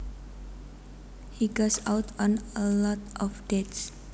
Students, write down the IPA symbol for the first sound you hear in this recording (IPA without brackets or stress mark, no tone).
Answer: h